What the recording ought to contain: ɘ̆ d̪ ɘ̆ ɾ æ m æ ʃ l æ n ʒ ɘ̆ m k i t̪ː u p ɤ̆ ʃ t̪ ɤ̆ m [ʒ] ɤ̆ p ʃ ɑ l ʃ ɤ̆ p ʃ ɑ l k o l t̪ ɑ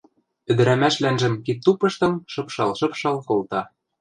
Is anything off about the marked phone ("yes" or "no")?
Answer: yes